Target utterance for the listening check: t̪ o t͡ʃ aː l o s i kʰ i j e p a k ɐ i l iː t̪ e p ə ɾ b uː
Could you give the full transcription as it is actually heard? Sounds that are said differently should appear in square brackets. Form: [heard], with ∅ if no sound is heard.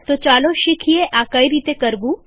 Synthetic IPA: t̪ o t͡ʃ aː l o [ʃ] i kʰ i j e [ʔ] a k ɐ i [ɾ] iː t̪ e [k] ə ɾ b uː